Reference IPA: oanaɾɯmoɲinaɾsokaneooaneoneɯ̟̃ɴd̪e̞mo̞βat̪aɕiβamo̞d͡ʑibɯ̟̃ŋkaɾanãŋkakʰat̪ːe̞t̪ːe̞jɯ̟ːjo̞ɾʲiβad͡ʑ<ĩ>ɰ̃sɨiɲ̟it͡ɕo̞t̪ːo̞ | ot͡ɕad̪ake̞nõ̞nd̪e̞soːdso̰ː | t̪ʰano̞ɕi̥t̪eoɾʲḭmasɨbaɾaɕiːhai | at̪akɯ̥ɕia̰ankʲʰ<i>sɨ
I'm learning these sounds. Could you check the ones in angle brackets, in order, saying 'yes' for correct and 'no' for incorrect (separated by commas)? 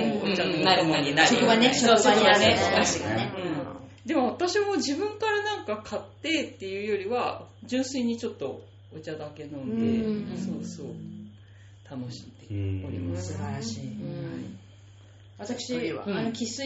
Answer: no, yes